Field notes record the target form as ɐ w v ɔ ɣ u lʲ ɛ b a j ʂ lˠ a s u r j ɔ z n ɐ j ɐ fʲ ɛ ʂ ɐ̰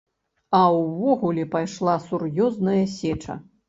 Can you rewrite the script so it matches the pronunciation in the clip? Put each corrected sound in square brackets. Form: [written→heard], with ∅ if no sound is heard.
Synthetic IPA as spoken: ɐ w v ɔ ɣ u lʲ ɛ [b→p] a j ʂ lˠ a s u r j ɔ z n ɐ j ɐ [fʲ→sʲ] ɛ [ʂ→t͡ʂ] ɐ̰